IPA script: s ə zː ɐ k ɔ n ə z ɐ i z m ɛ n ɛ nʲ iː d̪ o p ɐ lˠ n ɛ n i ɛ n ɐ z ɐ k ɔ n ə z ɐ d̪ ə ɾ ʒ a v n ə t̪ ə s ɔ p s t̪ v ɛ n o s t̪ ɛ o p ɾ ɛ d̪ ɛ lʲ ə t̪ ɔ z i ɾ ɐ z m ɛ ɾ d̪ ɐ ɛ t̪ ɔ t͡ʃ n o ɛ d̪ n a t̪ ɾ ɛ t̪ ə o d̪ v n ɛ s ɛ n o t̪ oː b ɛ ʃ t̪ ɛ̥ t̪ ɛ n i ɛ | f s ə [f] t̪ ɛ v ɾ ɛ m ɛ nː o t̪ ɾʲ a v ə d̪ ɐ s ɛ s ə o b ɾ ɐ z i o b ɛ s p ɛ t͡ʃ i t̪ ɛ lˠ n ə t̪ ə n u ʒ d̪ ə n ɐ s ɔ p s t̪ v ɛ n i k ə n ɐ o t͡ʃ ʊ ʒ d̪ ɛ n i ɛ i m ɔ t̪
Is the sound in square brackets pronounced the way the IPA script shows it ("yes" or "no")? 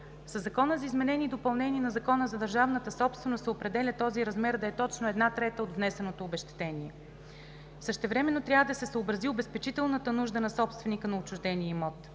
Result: no